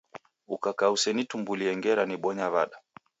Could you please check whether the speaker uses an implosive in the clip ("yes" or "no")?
yes